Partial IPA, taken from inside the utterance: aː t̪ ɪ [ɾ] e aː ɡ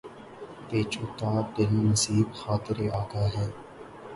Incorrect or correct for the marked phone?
correct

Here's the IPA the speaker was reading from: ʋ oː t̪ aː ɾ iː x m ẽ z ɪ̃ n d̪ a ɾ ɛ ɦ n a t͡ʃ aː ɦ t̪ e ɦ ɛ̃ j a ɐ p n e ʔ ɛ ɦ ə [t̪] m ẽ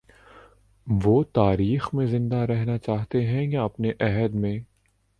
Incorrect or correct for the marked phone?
incorrect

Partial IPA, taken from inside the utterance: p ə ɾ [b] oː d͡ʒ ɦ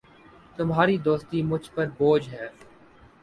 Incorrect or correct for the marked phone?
correct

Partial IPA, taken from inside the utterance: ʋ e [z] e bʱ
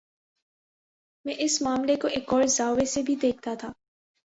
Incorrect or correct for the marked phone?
incorrect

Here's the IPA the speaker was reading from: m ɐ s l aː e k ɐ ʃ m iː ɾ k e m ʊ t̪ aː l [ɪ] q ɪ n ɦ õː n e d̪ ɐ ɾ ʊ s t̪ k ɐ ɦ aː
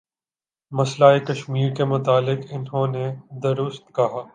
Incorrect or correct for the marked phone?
correct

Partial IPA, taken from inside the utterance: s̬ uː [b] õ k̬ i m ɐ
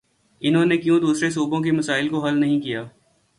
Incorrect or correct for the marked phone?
correct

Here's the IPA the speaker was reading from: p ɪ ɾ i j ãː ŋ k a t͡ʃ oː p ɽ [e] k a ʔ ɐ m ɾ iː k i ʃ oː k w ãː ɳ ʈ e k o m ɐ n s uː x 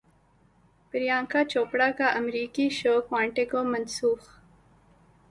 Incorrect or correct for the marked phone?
incorrect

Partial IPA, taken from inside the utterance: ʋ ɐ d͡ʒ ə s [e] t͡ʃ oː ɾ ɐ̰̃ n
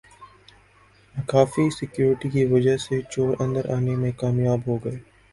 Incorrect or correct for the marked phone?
correct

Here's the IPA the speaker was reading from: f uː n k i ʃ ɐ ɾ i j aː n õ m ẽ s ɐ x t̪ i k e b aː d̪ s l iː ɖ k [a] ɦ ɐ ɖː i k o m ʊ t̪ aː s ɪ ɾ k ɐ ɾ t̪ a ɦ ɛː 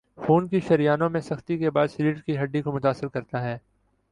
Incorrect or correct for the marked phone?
incorrect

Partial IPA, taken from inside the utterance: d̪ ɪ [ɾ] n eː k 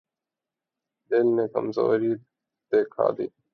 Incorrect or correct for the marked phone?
incorrect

